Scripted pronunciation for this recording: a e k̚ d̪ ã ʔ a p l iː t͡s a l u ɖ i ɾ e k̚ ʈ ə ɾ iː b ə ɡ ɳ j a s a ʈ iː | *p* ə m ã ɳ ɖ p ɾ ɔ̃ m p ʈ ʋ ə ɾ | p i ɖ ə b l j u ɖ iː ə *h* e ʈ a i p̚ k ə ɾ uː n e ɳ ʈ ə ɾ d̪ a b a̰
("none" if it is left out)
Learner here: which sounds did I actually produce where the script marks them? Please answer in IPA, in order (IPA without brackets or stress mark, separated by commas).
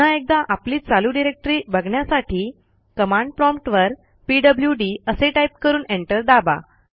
k, s